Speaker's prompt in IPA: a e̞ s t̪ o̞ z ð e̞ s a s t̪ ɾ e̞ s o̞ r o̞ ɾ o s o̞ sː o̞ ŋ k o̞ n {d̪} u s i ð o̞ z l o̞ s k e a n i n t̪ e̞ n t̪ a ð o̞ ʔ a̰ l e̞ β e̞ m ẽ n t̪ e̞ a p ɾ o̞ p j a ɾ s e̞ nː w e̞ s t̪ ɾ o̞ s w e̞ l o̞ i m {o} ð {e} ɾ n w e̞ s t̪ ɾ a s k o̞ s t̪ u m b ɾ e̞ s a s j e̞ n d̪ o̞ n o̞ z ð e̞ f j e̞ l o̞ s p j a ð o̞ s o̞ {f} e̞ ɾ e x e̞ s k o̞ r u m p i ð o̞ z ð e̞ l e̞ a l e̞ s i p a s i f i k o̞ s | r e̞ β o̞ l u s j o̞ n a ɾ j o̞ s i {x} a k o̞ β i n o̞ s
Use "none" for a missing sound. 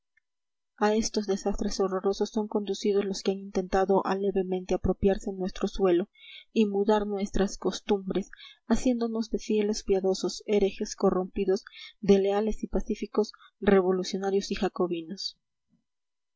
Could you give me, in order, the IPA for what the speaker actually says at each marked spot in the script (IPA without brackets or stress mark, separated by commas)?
d̪, u, a, s, x